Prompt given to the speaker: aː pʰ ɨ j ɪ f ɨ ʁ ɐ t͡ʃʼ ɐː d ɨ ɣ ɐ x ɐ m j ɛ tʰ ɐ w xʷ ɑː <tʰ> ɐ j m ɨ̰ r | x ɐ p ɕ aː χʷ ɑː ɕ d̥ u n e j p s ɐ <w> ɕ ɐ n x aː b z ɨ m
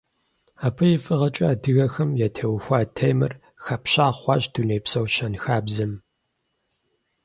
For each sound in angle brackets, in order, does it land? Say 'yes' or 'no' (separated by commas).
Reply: yes, yes